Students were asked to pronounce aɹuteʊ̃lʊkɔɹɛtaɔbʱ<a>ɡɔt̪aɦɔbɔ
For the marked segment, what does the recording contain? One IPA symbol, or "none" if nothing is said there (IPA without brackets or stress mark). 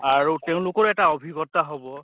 i